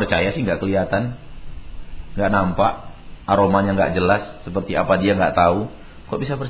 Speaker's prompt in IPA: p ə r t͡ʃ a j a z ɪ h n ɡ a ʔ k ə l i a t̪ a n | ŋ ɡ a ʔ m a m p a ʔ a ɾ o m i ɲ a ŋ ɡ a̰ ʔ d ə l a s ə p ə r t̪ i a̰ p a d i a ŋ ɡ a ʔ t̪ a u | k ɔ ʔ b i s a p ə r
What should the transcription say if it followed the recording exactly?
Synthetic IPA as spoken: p ə r t͡ʃ a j a s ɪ h ŋ ɡ a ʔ k ə l i a t̪ a n | ŋ ɡ a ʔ n a m p a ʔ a ɾ o m a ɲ a ŋ ɡ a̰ ʔ d͡ʒ ə l a sː ə p ə r t̪ i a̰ p a d i a ŋ ɡ a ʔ t̪ a u | k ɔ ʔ b i s a p ə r